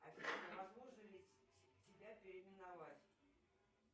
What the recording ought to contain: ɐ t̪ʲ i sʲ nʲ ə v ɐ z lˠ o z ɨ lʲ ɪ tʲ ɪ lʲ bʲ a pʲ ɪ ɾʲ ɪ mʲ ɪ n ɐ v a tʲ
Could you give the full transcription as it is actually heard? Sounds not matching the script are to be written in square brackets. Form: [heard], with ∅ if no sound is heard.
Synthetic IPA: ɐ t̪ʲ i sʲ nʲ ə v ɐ z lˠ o [ʐ] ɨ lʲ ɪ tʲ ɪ [∅] bʲ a pʲ ɪ ɾʲ ɪ mʲ ɪ n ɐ v a tʲ